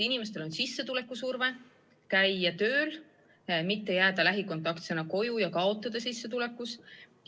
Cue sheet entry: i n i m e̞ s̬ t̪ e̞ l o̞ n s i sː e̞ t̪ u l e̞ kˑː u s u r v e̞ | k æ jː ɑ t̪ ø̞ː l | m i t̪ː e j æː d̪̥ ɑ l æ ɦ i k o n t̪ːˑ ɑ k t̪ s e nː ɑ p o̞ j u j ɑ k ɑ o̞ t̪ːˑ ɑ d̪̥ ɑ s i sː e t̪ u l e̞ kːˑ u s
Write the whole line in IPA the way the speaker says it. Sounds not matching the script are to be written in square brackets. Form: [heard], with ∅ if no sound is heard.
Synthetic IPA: i n i m e̞ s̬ t̪ e̞ l o̞ n s i sː e̞ t̪ u l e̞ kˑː u s u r v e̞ | k æ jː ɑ t̪ ø̞ː l | m i t̪ː e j æː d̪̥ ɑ l æ ɦ i k o n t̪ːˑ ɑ k t̪ s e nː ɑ [k] o̞ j u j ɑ k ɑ o̞ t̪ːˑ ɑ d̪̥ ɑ s i sː e t̪ u l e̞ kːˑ u s

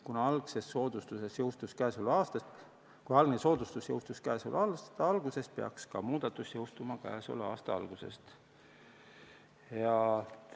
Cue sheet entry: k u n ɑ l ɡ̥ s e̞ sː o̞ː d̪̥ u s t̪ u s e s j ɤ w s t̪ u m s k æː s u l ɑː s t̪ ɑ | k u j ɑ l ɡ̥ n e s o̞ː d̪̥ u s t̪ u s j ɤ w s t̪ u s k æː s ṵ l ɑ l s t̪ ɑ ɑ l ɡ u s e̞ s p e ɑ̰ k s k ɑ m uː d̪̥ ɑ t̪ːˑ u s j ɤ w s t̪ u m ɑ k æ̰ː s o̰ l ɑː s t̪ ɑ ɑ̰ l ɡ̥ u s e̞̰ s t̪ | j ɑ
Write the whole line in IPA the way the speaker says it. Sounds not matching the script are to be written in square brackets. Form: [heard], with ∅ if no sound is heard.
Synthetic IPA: k u n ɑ l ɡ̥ s e̞ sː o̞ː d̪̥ u s t̪ u s e s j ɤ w s t̪ u [∅] s k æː s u l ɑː s t̪ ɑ | k u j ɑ l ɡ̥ n e s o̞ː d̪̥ u s t̪ u s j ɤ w s t̪ u s k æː s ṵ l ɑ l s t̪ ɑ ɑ l ɡ u s e̞ s p e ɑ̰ k s k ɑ m uː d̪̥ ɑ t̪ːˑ u s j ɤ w s t̪ u m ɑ k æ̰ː s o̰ l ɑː s t̪ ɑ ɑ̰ l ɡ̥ u s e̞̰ s t̪ | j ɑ

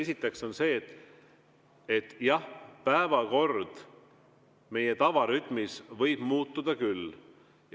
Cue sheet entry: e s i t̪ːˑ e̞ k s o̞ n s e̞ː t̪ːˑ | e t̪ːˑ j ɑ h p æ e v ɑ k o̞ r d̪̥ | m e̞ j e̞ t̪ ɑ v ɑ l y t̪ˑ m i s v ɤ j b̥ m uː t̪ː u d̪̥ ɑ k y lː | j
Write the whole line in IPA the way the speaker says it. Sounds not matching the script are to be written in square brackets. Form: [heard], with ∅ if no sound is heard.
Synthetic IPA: e s i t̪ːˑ e̞ k s o̞ n s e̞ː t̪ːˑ | e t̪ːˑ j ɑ h p æ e v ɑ k o̞ r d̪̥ | m e̞ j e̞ t̪ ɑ v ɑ [ɾ] y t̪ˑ m i s v ɤ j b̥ m uː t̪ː u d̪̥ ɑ k y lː | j

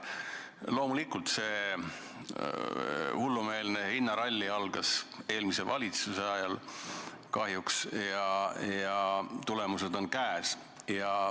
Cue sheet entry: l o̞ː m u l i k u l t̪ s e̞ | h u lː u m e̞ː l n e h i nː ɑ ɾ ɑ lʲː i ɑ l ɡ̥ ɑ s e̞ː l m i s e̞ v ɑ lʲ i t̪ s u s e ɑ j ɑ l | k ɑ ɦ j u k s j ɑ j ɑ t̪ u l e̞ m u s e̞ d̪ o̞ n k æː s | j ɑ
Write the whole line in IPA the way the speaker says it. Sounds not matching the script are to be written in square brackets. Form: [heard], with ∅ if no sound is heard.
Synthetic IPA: l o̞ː m u l i k u l t̪ s e̞ | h u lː u m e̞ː l n e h i nː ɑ ɾ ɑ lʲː i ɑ l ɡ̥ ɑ s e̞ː l m i s e̞ v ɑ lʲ i t̪ s u s e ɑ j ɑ l | k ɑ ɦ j u k s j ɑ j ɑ t̪ u l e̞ m u s e̞ d̪ o̞ n k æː s | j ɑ

